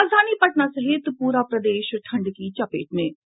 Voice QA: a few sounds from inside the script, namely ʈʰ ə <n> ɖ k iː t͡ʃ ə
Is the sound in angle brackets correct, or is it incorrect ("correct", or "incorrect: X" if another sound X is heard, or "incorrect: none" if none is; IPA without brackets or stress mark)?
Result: incorrect: ɳ